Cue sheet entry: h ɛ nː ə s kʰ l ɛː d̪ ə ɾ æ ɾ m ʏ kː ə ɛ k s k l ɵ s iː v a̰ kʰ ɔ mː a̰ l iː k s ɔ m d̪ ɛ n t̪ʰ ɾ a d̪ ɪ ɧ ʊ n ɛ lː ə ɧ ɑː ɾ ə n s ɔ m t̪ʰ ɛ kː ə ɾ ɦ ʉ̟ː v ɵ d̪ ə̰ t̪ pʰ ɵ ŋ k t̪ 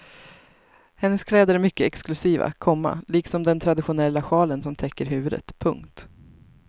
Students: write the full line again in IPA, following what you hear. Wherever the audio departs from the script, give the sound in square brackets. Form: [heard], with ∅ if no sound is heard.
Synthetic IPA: h ɛ nː ə s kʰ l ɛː d̪ ə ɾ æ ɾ m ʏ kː ə ɛ k s k l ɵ s iː v a̰ kʰ ɔ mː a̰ l iː k s ɔ m d̪ ɛ n t̪ʰ ɾ a d̪ ɪ ɧ ʊ n ɛ lː [a] ɧ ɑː [l] ə n s ɔ m t̪ʰ ɛ kː ə ɾ ɦ ʉ̟ː v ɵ d̪ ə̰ t̪ pʰ ɵ ŋ k t̪